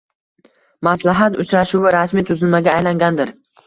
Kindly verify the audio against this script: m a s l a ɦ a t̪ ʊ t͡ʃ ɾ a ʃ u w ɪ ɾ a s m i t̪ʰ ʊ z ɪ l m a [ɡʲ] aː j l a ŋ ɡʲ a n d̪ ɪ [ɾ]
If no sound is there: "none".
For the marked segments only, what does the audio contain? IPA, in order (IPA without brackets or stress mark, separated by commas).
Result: ɡʲ, ɾ